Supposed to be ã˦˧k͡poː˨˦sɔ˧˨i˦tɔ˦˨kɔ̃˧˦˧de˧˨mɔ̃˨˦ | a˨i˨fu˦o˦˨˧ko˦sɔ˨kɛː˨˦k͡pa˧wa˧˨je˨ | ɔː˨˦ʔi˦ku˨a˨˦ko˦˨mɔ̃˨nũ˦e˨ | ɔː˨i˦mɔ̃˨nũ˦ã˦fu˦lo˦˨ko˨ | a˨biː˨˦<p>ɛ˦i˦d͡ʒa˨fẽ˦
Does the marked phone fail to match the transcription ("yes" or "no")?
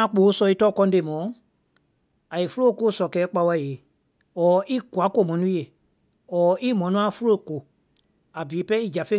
no